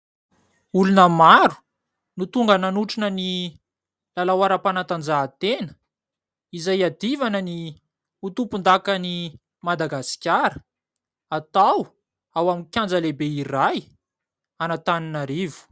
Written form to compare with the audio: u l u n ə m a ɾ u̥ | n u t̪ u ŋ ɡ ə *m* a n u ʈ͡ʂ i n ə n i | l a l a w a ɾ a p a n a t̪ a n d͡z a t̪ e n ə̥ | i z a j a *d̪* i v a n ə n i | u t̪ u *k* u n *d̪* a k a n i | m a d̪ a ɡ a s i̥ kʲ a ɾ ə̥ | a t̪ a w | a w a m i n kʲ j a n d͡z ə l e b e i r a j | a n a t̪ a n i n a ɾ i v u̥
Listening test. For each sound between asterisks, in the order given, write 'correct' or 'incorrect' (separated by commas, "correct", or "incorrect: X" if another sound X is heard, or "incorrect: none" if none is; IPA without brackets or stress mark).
incorrect: n, correct, incorrect: p, correct